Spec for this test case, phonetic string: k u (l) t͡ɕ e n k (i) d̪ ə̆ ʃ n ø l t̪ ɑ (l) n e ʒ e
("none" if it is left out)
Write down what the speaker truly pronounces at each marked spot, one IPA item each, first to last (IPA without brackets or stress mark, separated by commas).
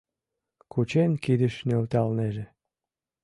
none, i, l